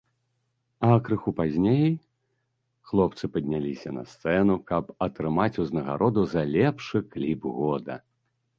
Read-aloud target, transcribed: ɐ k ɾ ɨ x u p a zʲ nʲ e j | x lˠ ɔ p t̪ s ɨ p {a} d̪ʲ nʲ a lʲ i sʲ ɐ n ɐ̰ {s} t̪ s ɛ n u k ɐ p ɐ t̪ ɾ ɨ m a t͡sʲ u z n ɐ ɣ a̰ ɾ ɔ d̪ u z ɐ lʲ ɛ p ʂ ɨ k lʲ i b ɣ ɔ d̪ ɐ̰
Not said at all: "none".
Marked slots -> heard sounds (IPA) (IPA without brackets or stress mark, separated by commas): ɐ, s